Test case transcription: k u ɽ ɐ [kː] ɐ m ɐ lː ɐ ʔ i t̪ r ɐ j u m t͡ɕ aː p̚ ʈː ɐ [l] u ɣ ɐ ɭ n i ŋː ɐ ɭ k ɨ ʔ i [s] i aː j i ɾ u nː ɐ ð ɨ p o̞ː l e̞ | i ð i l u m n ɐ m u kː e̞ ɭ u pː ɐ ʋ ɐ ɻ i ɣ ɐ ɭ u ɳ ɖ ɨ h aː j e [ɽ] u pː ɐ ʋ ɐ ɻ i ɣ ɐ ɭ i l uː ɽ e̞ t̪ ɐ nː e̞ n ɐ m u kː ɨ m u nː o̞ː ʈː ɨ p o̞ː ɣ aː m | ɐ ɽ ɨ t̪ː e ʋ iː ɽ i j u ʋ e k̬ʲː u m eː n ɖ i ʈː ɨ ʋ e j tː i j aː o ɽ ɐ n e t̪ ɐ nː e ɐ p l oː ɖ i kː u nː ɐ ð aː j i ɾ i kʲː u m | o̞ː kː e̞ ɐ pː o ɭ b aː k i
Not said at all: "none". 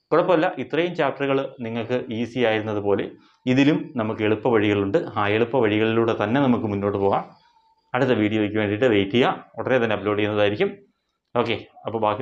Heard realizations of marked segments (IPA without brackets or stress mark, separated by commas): pː, r, s, ɭ